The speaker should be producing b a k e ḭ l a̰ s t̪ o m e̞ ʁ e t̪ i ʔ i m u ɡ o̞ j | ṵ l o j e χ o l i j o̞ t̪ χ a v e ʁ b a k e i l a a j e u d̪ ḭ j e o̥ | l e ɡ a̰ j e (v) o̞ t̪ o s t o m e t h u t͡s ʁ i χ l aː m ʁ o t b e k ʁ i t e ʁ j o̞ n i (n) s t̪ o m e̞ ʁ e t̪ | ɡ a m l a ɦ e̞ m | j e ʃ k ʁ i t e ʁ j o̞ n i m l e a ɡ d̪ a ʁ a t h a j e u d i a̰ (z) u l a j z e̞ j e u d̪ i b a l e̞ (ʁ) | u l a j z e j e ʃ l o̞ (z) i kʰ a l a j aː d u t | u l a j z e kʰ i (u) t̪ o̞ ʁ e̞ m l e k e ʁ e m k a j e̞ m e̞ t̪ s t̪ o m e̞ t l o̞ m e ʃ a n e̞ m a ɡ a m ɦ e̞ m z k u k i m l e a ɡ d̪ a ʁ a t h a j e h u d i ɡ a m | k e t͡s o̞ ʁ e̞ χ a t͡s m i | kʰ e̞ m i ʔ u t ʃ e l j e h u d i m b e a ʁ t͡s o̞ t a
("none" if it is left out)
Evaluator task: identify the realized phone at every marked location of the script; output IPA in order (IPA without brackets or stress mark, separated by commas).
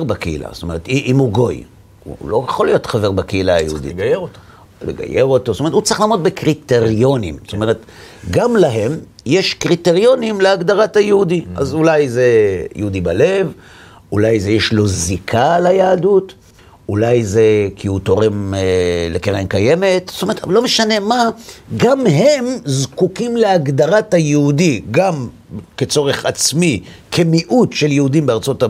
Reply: ʁ, m, z, v, z, u